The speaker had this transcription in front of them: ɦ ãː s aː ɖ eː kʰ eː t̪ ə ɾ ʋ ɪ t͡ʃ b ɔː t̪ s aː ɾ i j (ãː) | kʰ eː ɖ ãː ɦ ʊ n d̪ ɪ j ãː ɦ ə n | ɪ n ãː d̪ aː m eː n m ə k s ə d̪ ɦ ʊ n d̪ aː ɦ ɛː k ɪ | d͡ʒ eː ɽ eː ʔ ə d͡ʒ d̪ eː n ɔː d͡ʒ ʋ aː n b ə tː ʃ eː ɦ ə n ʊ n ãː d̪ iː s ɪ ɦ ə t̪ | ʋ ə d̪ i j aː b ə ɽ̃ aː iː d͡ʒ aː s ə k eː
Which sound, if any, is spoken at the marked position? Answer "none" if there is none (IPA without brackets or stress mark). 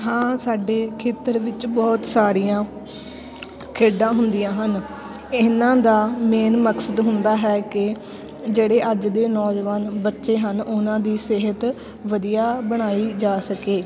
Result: ãː